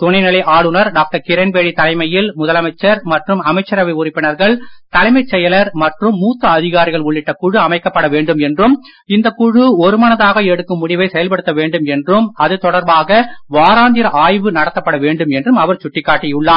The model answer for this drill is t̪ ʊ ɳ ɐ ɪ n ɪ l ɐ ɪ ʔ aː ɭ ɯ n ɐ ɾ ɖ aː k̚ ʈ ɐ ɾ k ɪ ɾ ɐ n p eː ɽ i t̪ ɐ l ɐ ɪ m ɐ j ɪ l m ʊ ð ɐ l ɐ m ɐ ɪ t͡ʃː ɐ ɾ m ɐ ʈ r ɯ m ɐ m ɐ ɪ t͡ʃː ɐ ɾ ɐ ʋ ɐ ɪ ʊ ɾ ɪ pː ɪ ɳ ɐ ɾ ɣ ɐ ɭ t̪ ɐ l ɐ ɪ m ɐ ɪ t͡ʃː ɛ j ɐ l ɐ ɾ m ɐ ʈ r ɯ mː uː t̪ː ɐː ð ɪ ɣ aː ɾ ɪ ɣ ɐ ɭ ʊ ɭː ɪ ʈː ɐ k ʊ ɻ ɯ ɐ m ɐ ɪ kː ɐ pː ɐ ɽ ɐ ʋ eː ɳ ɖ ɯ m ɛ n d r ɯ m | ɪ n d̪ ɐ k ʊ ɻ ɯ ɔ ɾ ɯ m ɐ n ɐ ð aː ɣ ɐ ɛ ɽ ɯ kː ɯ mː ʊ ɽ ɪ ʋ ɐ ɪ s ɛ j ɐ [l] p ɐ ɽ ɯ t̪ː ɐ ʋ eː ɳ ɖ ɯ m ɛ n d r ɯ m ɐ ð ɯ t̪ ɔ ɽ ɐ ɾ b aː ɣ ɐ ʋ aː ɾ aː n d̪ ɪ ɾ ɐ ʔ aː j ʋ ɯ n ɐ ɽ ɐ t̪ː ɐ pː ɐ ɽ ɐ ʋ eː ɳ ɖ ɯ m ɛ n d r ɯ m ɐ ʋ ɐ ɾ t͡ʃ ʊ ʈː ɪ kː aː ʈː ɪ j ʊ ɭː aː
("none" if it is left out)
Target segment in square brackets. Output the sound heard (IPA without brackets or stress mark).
l